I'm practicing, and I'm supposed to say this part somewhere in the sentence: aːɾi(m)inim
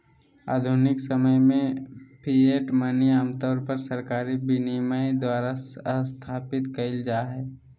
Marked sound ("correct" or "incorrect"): incorrect